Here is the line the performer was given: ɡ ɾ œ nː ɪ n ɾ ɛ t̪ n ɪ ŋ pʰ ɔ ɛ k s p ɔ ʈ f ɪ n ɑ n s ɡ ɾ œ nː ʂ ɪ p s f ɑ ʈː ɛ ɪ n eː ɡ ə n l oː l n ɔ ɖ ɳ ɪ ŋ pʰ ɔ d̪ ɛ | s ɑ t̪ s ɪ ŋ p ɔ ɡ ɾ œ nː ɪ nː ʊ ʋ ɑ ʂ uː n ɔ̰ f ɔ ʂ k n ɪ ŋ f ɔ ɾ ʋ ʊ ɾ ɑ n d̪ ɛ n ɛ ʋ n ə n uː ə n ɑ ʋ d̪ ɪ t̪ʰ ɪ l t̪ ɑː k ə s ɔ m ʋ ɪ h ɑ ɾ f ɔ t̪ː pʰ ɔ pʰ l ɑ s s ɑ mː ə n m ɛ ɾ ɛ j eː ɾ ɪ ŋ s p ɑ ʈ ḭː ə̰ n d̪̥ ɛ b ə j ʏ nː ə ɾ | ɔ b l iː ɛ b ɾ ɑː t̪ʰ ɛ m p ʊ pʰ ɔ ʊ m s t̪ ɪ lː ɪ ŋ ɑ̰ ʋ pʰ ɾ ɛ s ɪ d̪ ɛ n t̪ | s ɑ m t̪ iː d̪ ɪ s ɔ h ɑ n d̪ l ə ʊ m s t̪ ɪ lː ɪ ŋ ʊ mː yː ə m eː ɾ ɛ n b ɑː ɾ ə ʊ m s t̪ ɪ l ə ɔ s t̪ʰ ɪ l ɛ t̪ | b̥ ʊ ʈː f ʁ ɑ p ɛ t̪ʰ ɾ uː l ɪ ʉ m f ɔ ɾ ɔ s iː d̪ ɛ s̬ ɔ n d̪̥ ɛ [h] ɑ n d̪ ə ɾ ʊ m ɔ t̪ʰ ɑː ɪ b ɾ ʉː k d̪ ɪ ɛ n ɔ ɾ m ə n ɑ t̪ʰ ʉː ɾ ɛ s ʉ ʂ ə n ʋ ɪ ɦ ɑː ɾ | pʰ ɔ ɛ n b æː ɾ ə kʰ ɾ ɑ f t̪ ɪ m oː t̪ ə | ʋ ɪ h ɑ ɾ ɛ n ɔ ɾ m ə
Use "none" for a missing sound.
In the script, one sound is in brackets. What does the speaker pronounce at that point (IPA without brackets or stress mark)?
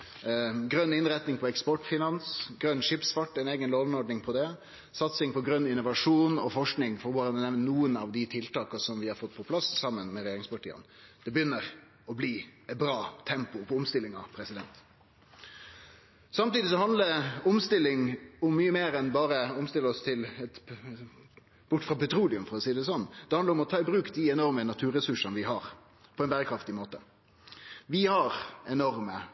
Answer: h